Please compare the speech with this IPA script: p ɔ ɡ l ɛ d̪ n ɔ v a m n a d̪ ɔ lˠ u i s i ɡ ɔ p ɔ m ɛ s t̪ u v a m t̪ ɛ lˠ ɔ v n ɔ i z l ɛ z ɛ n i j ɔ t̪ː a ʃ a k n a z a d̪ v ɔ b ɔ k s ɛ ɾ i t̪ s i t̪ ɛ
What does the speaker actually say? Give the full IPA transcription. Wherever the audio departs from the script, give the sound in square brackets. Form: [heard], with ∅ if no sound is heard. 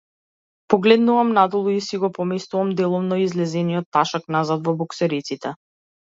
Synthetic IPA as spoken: p ɔ ɡ l ɛ d̪ n [u] v a m n a d̪ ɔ lˠ u i s i ɡ ɔ p ɔ m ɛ s t̪ u v a m [d̪] ɛ lˠ ɔ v n ɔ i z l ɛ z ɛ n i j ɔ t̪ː a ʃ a k n a z a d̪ v ɔ b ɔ k s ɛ ɾ i t̪ s i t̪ ɛ